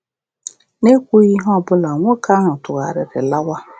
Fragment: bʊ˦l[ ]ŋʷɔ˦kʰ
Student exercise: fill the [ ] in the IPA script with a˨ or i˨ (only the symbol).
a˨